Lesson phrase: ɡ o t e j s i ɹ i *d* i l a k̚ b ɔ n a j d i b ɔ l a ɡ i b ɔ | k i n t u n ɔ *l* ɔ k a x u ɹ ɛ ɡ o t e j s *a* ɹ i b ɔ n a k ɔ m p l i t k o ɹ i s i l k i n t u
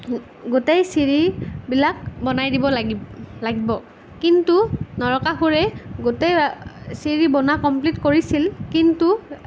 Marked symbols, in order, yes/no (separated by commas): no, no, no